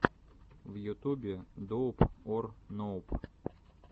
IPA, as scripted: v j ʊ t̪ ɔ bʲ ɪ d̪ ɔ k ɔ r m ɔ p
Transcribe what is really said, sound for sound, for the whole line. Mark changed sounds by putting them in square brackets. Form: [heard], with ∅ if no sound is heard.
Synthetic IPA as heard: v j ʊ t̪ [u] bʲ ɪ d̪ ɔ [p] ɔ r [n] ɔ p